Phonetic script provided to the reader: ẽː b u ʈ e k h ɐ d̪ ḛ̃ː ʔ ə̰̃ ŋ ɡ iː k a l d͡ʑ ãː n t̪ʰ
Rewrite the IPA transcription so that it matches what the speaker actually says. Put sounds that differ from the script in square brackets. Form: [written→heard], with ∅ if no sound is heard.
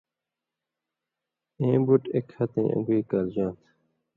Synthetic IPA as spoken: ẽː b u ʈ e k h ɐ [d̪→t̪] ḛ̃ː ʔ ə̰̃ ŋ ɡ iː k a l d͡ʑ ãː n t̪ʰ